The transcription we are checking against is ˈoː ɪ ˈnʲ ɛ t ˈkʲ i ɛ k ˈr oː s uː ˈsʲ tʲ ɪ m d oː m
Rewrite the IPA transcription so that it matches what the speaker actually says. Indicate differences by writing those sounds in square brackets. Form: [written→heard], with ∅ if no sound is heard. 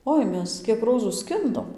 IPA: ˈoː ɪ [ˈnʲ→ˈmʲ] ɛ [t→s] ˈkʲ i ɛ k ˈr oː [s→z] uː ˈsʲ [tʲ→kʲ] ɪ [m→n] d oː m